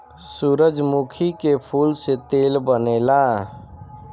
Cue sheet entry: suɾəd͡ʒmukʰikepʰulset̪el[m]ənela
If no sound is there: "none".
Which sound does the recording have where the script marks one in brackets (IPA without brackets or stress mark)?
b